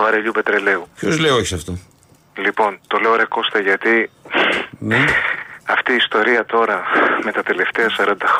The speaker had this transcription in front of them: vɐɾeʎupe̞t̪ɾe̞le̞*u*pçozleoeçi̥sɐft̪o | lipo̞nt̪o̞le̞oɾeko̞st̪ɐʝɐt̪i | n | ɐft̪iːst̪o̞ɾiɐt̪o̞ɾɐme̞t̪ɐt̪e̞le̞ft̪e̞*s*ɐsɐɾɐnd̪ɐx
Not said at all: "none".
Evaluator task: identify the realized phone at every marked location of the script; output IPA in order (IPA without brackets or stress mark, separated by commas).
u, none